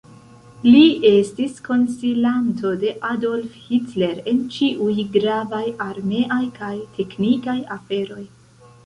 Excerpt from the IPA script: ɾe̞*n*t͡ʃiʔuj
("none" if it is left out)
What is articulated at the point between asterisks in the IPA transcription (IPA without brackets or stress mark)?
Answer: n